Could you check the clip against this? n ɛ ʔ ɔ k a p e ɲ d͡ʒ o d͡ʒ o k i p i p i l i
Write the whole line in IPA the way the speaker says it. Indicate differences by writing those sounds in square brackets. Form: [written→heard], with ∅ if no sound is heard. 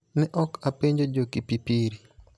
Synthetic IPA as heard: n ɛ ʔ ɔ k a p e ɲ d͡ʒ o d͡ʒ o k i p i p i [l→ɾ] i